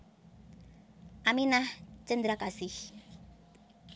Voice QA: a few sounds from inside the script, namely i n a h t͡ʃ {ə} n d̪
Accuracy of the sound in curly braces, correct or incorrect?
correct